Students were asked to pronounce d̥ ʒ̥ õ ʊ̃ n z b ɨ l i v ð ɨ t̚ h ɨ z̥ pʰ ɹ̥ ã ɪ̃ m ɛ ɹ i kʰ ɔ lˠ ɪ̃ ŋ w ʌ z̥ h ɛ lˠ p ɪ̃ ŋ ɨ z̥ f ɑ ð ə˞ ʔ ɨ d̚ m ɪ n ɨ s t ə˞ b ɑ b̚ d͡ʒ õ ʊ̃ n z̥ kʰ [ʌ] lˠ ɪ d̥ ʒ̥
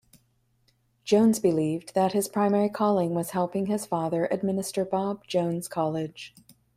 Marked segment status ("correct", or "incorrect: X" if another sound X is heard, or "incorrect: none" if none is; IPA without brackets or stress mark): incorrect: ɑ